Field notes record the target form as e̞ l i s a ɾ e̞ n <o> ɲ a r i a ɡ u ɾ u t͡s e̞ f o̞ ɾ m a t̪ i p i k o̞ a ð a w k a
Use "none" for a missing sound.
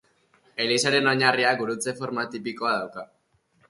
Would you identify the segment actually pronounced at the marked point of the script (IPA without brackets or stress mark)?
o